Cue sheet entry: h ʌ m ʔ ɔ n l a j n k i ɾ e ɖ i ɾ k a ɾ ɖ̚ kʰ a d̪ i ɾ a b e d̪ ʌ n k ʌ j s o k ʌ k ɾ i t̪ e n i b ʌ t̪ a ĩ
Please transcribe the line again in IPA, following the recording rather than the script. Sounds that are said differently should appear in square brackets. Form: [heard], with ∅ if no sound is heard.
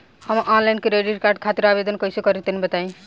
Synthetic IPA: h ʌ m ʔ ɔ n l a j n k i ɾ e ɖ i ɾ k a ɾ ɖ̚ kʰ a [t̪] i ɾ a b e d̪ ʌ n k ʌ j s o k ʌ [∅] ɾ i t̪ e n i b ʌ t̪ a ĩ

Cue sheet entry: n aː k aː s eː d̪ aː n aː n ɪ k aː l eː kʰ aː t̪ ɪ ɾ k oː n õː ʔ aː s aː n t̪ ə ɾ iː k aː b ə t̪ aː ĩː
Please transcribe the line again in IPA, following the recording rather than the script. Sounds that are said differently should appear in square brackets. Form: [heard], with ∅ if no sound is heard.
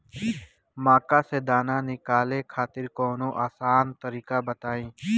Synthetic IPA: [m] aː k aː s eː d̪ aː n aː n ɪ k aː l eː kʰ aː t̪ ɪ ɾ k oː n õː ʔ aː s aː n t̪ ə ɾ iː k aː b ə t̪ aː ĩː

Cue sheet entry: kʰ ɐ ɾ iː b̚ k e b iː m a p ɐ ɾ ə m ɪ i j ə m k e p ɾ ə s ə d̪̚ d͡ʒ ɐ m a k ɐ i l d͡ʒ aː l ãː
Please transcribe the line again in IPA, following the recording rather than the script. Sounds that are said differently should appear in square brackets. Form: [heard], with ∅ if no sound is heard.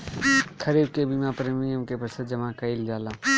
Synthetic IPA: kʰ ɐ ɾ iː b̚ k e b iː m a p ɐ ɾ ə m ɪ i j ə m k e p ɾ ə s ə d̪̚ d͡ʒ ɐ m a k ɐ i l d͡ʒ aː l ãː

